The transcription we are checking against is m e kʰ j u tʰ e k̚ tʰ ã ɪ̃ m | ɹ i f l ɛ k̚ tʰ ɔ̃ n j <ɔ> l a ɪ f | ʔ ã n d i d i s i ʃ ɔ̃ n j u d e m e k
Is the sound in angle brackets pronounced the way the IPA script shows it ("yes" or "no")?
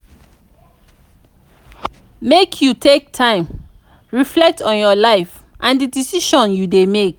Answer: yes